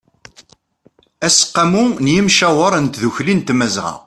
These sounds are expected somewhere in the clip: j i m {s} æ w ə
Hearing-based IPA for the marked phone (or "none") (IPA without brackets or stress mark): ʃ